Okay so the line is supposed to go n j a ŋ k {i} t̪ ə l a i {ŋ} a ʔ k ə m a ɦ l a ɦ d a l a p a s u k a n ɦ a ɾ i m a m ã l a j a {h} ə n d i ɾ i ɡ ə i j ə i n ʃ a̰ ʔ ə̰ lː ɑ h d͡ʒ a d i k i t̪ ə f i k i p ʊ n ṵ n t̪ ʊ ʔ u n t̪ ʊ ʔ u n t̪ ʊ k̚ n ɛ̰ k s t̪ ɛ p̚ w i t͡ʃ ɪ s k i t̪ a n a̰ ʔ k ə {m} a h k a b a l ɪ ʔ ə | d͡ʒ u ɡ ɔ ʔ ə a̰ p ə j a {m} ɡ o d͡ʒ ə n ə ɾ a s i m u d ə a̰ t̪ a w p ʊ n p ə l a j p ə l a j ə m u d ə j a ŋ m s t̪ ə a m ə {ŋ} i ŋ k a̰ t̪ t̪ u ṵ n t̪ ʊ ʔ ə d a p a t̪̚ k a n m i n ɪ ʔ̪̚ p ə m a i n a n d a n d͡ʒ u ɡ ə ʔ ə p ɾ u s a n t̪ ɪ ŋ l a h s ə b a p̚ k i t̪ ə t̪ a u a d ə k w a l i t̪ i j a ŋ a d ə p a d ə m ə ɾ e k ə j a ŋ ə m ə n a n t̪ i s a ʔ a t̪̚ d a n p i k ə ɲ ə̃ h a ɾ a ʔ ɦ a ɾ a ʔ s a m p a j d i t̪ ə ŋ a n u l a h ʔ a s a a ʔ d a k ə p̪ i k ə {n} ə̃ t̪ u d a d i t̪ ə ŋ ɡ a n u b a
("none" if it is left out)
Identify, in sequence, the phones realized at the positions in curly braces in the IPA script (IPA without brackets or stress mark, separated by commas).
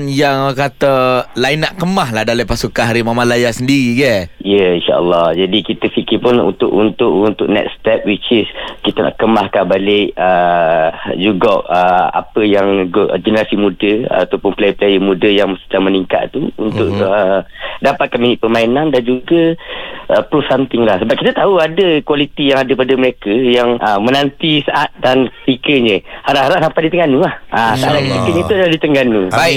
a, n, s, m, ŋ, n, ɲ